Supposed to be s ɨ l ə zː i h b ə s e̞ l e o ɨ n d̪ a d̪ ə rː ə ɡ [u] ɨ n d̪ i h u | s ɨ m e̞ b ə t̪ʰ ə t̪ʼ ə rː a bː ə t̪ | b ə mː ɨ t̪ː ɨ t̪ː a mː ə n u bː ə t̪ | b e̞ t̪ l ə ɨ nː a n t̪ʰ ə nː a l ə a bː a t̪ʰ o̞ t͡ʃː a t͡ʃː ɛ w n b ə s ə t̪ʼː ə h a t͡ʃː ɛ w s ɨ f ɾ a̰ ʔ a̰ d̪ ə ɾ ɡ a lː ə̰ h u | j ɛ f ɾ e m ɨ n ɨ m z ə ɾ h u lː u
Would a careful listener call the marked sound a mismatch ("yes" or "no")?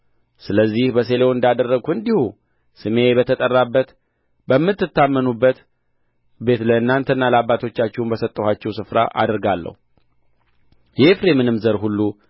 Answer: no